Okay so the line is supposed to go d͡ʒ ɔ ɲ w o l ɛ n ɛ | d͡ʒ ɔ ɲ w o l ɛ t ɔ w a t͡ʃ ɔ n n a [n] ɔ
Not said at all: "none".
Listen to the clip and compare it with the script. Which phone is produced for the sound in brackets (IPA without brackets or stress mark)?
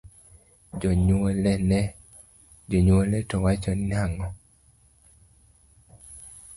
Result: ŋ